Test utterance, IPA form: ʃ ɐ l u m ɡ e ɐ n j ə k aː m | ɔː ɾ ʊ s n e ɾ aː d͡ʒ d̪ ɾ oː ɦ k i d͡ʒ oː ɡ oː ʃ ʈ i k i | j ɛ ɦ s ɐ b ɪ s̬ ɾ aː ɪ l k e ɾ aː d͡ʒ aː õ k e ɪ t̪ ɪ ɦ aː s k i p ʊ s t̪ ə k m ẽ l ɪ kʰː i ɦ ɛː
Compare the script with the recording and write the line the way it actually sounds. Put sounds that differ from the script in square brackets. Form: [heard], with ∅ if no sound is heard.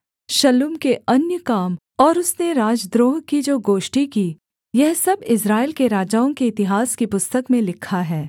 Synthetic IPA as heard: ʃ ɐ l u m [k] e ɐ n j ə k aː m | ɔː ɾ ʊ s n e ɾ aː d͡ʒ d̪ ɾ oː ɦ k i d͡ʒ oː ɡ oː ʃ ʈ i k i | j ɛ ɦ s ɐ b ɪ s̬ ɾ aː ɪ l k e ɾ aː d͡ʒ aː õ k e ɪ t̪ ɪ ɦ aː s k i p ʊ s t̪ ə k m ẽ l ɪ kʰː [a] ɦ ɛː